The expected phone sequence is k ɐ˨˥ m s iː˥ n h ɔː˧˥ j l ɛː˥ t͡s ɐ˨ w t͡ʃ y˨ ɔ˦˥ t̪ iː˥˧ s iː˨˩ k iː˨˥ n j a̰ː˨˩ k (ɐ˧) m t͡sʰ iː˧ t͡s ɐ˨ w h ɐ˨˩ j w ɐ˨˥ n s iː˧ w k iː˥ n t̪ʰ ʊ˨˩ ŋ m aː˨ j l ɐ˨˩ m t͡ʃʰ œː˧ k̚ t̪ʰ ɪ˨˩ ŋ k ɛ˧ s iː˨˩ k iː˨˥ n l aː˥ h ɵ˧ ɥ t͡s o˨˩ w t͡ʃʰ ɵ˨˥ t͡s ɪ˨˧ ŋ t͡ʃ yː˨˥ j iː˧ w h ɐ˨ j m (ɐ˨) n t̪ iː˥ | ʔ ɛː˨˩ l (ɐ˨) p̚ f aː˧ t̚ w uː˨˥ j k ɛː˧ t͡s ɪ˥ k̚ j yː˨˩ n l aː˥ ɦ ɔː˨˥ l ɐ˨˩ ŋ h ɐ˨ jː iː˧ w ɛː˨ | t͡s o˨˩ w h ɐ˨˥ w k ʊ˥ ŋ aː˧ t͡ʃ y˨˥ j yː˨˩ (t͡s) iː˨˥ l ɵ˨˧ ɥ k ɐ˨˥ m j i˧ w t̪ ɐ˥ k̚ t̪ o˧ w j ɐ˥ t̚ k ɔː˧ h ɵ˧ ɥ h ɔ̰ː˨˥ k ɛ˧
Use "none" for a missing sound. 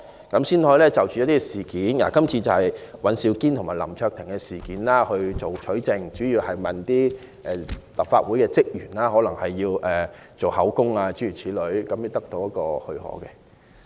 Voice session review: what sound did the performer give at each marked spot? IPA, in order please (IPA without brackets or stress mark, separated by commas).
ɐ˥, ɐ˨, ɐ˨, t͡sʰ